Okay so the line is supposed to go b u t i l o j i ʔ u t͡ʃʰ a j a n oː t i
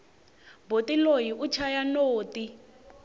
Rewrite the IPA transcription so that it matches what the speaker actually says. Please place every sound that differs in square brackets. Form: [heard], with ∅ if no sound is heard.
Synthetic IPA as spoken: b [o] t i l o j i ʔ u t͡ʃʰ a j a n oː t i